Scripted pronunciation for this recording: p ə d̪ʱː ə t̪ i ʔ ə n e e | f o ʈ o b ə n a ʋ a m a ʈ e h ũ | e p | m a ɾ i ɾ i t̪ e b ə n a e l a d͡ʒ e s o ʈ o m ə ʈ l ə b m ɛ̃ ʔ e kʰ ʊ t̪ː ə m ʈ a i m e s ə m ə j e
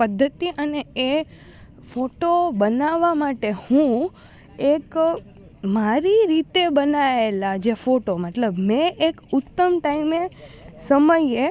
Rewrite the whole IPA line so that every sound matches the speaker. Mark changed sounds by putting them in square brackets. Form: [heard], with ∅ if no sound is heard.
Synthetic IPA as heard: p ə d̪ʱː ə t̪ i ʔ ə n e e | f o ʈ o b ə n a ʋ a m a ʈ e h ũ | e [k] | m a ɾ i ɾ i t̪ e b ə n a e l a d͡ʒ e [f] o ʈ o m ə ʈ l ə b m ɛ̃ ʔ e [k] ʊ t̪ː ə m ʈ a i m e s ə m ə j e

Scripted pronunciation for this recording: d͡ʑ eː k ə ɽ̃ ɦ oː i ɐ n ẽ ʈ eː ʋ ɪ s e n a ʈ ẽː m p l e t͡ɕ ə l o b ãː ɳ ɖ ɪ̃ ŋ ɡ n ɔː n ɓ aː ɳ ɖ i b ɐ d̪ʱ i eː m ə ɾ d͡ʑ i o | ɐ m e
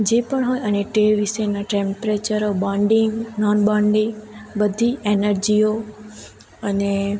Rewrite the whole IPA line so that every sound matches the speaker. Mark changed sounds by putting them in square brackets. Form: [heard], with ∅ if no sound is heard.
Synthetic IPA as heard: d͡ʑ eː [p] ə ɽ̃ ɦ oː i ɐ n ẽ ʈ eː ʋ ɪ s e n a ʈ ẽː m p [ɾ] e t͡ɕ ə [ɾ] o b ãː ɳ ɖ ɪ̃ ŋ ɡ n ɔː n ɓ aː ɳ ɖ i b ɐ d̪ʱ i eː [n] ə ɾ d͡ʑ i o | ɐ [n] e

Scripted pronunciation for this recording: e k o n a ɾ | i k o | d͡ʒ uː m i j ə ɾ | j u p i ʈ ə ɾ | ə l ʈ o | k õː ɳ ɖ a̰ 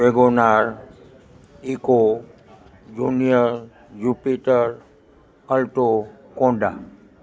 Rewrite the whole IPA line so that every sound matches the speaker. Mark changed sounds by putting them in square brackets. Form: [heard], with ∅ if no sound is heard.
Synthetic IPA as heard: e [ɡ] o n a ɾ | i k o | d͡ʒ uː [n] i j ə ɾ | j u p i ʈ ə ɾ | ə l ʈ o | k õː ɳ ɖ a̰

